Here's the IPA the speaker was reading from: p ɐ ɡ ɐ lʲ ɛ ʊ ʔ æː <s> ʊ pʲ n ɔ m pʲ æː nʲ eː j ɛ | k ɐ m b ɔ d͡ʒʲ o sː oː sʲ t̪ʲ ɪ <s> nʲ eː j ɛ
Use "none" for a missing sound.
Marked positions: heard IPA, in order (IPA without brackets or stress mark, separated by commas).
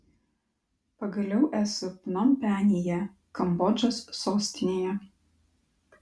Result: s, none